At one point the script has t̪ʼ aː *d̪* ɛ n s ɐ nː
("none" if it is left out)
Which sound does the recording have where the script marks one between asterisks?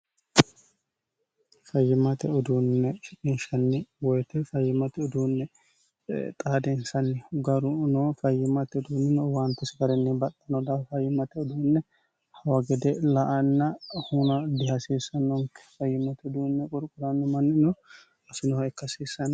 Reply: d̪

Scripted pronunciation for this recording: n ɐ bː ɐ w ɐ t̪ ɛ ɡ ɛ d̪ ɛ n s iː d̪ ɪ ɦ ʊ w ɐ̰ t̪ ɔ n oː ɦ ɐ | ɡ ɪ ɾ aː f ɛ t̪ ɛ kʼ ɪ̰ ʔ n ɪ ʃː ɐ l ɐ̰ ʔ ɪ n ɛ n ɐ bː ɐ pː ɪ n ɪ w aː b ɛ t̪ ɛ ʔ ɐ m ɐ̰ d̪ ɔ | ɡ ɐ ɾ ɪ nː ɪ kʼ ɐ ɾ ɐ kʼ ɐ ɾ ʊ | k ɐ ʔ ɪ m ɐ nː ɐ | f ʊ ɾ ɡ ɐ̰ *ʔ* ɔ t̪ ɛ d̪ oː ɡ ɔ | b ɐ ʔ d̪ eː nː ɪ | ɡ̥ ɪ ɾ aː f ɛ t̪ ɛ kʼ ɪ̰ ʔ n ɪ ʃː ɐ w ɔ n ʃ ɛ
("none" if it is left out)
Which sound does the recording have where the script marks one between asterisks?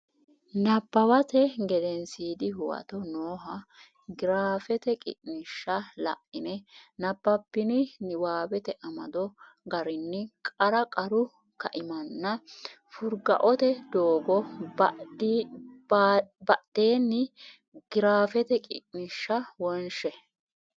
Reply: ʔ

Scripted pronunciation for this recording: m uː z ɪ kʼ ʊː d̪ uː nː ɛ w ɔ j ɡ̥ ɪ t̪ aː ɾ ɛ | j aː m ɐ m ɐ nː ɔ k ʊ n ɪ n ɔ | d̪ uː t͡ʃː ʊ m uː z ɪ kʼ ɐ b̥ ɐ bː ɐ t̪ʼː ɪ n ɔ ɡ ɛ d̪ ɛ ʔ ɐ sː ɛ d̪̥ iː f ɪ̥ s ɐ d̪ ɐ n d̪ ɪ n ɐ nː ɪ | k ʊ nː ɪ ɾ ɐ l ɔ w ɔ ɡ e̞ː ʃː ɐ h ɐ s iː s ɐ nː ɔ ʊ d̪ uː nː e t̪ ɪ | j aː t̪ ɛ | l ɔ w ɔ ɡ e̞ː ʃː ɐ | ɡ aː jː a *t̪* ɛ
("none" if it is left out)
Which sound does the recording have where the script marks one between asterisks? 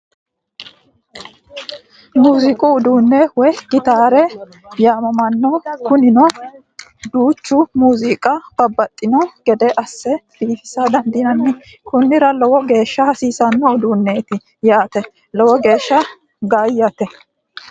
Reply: t̪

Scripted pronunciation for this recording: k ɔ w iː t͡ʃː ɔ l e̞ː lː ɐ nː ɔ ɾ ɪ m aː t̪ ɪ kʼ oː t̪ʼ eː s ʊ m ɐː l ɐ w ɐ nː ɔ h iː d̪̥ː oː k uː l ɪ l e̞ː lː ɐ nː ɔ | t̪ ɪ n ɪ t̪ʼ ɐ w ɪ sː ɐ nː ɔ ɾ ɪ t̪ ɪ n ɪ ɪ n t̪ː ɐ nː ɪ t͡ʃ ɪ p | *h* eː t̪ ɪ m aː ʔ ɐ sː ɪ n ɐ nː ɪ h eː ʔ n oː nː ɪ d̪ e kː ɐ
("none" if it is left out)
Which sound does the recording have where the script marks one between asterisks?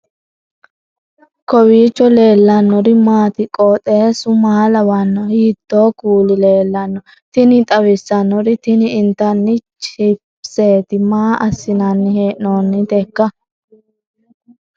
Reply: s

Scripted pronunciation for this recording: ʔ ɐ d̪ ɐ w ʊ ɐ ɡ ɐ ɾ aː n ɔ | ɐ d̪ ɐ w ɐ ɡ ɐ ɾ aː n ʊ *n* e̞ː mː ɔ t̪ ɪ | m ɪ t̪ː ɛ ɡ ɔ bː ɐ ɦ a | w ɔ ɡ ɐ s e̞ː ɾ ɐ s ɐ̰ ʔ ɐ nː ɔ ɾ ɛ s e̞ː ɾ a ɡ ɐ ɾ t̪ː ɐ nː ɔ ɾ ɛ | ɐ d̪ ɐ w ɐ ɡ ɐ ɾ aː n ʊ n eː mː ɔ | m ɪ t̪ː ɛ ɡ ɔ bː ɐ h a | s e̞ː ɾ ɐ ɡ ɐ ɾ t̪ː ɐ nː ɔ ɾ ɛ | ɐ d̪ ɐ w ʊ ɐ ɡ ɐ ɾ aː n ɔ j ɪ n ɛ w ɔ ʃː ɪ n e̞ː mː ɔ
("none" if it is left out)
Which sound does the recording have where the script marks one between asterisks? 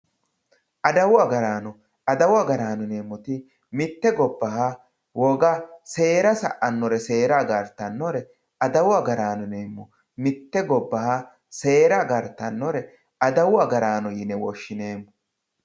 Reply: n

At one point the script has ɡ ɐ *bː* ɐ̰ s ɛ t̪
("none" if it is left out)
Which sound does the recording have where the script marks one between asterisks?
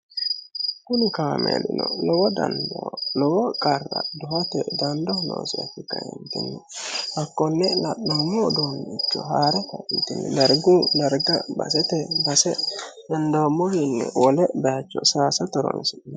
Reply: b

